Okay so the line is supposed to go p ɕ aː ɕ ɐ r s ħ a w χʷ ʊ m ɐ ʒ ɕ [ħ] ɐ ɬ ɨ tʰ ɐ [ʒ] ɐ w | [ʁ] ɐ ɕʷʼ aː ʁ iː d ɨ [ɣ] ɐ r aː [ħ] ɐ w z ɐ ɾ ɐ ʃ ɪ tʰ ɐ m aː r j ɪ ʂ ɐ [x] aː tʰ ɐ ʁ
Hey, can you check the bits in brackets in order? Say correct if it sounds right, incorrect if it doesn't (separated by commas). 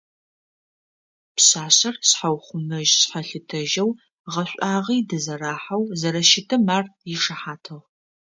correct, correct, correct, incorrect, correct, incorrect